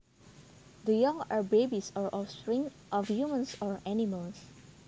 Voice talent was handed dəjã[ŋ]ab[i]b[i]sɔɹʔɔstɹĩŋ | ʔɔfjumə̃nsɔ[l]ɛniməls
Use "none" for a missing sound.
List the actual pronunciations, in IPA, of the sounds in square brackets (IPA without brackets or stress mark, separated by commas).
ŋ, e, i, ɹ